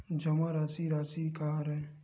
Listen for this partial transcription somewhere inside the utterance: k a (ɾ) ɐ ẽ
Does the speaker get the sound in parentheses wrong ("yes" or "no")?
no